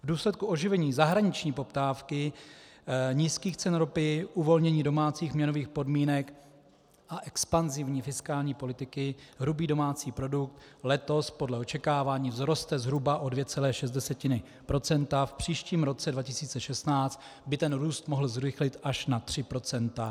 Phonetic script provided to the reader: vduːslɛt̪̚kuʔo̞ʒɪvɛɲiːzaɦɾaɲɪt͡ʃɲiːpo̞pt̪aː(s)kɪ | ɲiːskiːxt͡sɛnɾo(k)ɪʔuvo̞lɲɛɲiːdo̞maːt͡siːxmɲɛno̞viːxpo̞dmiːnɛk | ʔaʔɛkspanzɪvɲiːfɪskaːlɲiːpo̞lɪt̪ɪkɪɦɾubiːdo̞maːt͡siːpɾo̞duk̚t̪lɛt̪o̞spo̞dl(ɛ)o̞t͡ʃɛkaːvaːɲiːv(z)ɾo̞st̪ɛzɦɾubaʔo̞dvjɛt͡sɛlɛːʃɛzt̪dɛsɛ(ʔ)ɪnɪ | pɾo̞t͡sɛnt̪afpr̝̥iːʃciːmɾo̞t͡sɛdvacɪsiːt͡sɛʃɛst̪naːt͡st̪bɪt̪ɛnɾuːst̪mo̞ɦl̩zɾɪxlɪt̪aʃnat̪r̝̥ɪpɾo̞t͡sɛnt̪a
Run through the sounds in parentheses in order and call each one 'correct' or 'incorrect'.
incorrect, incorrect, correct, correct, incorrect

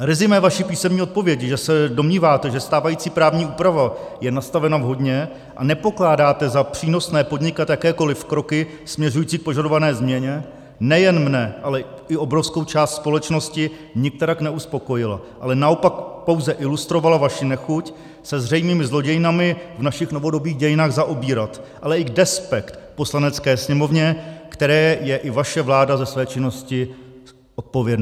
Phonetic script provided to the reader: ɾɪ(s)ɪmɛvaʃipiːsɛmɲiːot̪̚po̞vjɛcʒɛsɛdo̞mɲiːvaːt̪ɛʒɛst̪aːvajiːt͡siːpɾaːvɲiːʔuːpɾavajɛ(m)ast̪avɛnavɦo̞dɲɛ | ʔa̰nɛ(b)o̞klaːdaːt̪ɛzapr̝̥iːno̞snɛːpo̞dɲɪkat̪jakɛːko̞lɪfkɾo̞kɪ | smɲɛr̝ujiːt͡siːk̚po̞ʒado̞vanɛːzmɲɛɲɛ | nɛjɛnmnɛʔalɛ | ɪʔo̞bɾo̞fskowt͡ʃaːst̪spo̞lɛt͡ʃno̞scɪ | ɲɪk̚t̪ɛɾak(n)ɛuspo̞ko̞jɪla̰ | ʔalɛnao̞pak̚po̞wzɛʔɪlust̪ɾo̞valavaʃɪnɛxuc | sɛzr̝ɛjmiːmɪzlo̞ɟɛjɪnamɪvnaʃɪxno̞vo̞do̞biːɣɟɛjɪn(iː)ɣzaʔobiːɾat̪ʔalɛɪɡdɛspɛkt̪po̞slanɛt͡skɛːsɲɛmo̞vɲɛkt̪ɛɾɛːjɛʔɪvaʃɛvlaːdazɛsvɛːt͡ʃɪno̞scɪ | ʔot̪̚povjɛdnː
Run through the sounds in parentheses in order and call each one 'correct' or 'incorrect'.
incorrect, incorrect, incorrect, correct, incorrect

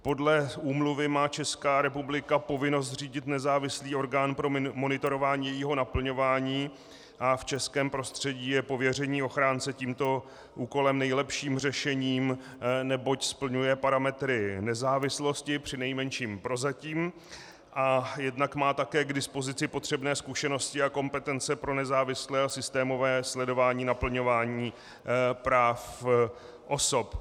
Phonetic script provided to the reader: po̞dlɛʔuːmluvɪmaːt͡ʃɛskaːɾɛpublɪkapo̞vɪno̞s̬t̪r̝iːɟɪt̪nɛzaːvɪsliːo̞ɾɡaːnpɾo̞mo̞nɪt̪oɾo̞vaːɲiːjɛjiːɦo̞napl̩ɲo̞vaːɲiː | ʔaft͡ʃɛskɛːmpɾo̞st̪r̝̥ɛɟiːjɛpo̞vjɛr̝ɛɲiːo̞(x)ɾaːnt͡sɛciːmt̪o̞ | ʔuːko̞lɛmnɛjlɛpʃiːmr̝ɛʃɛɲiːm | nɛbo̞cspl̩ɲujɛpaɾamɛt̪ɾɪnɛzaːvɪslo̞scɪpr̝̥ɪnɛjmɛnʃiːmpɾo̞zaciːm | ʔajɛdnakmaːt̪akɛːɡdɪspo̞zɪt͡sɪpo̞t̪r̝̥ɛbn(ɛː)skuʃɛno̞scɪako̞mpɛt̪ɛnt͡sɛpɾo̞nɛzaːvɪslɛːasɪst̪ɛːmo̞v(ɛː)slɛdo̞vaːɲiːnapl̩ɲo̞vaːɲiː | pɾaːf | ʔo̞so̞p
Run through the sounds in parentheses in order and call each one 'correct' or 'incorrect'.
correct, correct, correct

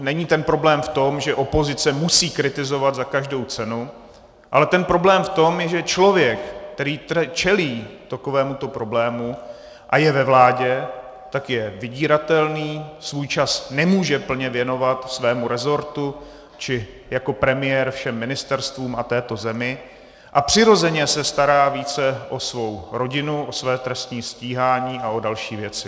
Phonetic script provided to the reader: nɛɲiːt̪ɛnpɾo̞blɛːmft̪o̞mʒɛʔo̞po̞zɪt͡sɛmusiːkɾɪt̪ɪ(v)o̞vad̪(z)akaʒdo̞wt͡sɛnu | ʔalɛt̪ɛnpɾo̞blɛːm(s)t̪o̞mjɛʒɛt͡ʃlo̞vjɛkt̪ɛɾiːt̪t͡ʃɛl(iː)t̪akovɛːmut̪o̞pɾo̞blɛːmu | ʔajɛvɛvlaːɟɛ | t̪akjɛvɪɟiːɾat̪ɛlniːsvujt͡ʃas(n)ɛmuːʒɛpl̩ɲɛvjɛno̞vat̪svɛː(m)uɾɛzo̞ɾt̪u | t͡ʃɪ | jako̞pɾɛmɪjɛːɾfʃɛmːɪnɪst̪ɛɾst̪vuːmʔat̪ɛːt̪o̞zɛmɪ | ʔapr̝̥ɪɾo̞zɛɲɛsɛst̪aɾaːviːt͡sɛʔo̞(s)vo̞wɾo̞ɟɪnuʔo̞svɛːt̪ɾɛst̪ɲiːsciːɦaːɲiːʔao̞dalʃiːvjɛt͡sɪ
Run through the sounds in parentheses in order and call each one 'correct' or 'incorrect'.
incorrect, correct, incorrect, correct, correct, correct, correct

